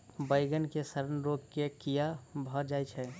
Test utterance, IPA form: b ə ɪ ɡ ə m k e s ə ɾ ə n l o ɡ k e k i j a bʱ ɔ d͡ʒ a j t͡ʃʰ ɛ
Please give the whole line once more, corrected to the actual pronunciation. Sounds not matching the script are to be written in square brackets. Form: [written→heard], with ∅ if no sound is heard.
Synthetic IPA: b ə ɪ ɡ ə [m→n] k e s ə ɾ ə n [l→ɾ] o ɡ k e k i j a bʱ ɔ d͡ʒ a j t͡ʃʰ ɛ